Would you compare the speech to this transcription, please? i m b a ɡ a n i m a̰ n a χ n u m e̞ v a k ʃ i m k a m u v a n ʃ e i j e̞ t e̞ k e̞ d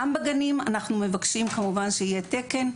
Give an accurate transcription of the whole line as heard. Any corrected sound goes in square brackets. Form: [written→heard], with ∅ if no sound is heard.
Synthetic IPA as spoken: [i→a] m b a ɡ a n i m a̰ n a χ n u m e̞ v a k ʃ i m k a m u v a n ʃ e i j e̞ t e̞ k e̞ [d→n]